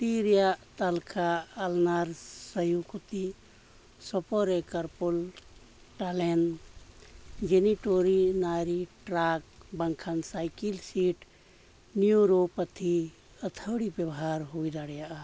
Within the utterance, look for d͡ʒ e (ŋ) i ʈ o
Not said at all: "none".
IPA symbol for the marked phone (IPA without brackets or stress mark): n